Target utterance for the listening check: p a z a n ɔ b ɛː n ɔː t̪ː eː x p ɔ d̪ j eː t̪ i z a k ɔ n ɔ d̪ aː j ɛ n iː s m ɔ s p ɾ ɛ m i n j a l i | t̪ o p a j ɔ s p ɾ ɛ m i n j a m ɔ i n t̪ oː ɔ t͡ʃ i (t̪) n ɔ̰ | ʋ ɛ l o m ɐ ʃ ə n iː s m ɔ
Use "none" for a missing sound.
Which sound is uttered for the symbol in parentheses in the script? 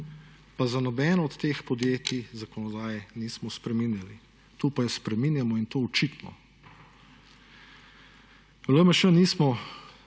t̪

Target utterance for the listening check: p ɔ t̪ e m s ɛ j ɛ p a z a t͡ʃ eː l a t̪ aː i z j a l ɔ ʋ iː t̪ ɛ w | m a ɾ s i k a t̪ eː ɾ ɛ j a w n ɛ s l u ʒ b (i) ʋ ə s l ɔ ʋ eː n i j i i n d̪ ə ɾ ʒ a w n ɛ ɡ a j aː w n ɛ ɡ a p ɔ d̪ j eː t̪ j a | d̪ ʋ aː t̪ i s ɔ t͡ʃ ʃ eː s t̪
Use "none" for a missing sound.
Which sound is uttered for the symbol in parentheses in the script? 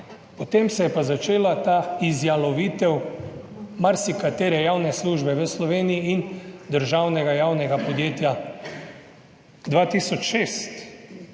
ɛ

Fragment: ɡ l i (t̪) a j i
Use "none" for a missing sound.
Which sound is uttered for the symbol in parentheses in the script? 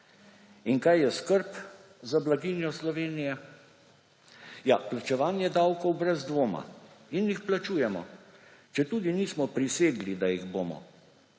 d̪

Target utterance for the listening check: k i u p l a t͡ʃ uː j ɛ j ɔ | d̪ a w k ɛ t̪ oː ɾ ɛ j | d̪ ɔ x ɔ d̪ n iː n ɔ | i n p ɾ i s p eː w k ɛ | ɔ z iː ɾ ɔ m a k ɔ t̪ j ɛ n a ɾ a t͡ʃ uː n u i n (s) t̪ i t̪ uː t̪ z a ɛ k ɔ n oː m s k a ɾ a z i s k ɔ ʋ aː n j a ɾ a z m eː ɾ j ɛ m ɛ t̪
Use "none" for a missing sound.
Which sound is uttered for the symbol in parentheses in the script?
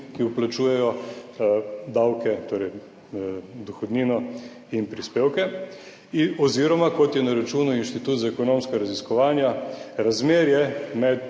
ʃ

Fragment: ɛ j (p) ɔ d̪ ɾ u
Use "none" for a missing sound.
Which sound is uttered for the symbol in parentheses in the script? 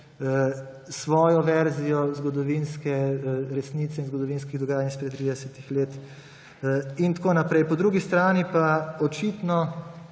p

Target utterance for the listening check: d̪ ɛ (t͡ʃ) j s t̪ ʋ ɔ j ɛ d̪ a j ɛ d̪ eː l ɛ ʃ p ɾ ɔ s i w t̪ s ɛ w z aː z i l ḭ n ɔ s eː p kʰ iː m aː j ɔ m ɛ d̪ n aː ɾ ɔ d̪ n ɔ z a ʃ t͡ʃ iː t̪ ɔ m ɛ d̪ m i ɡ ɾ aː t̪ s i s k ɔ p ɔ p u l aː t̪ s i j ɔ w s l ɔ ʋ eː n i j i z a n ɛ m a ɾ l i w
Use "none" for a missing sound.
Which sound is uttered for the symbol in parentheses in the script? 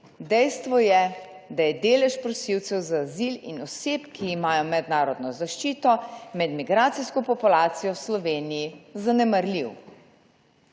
none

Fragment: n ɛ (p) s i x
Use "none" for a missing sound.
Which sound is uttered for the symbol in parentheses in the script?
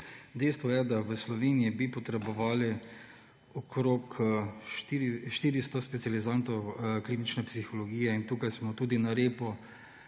p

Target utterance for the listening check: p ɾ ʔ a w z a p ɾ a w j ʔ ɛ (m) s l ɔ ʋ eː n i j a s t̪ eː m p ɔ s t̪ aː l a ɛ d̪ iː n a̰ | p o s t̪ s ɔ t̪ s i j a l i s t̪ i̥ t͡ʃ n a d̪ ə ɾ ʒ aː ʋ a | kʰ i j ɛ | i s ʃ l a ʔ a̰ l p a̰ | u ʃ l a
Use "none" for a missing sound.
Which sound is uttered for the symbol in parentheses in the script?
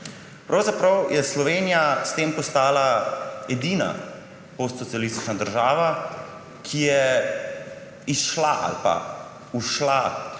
none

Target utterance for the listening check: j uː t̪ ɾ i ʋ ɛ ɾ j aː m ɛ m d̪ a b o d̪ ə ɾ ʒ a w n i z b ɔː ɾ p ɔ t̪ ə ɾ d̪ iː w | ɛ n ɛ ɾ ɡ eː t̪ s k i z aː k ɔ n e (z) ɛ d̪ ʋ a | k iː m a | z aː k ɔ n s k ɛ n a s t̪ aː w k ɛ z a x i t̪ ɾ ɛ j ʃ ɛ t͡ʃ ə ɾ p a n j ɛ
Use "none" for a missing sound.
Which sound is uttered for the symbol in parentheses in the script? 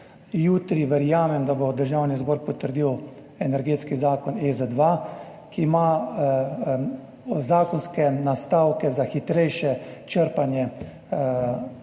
z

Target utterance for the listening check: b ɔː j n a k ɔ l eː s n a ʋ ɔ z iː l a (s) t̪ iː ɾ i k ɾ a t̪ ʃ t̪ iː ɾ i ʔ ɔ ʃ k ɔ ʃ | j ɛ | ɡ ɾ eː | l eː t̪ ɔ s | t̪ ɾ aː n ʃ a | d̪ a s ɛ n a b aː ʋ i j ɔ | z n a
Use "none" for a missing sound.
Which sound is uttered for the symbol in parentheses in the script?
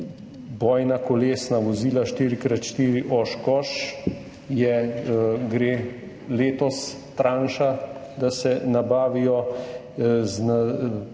ʃ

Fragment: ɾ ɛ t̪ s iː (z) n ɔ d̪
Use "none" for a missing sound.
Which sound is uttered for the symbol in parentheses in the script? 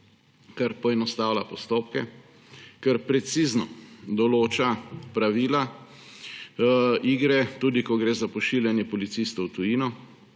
z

